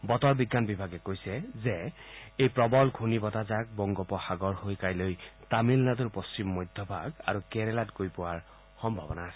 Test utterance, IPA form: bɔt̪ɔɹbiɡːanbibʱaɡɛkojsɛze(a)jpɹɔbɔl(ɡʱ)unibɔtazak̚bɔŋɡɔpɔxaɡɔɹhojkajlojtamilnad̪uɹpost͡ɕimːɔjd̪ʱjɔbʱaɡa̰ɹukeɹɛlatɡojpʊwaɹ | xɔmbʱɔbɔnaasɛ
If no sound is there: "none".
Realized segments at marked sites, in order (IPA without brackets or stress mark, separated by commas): e, ɡʱ